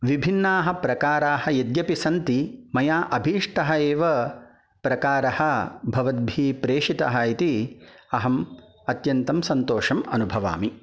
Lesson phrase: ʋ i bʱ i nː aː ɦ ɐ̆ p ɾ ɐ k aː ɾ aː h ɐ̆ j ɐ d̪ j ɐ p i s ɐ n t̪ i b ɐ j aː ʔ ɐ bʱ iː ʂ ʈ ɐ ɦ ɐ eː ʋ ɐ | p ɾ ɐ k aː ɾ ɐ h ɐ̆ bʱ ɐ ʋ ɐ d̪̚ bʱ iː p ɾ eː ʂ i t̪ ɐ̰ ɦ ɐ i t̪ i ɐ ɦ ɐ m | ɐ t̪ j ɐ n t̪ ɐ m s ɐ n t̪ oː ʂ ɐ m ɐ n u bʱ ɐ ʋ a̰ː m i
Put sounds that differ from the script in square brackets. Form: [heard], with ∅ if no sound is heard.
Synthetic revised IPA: ʋ i bʱ i nː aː ɦ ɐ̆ p ɾ ɐ k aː ɾ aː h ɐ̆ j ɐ d̪ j ɐ p i s ɐ n t̪ i [m] ɐ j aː ʔ ɐ bʱ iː ʂ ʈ ɐ ɦ ɐ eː ʋ ɐ | p ɾ ɐ k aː ɾ ɐ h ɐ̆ bʱ ɐ ʋ ɐ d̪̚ bʱ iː p ɾ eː ʂ i t̪ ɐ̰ ɦ ɐ i t̪ i ɐ ɦ ɐ m | ɐ t̪ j ɐ n t̪ ɐ m s ɐ n t̪ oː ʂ ɐ m ɐ n u bʱ ɐ ʋ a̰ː m i